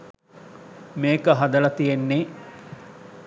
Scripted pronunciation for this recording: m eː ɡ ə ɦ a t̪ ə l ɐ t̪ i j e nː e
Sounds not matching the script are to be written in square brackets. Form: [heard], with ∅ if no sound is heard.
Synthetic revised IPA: m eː [k] ə ɦ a [d̪] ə l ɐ t̪ i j e nː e